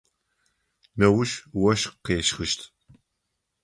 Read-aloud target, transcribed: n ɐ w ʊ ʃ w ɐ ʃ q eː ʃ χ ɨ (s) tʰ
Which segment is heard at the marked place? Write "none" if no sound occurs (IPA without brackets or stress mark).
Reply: ʃ